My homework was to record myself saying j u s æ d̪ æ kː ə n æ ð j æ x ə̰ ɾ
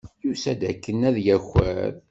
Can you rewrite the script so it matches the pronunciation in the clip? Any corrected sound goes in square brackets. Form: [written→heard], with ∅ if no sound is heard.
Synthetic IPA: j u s æ d̪ æ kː ə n æ ð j æ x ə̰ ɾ